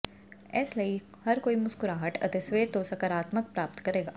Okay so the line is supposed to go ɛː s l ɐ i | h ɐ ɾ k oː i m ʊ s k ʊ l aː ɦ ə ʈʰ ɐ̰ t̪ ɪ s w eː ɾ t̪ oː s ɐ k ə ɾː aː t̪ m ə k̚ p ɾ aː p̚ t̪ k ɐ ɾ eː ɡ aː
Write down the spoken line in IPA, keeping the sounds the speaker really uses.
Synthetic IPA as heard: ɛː s l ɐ i | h ɐ ɾ k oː i m ʊ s k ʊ ɾ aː ɦ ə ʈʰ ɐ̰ t̪ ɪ s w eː ɾ t̪ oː s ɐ k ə ɾ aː t̪ m ə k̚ p ɾ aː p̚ t̪ k ɐ ɾ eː ɡ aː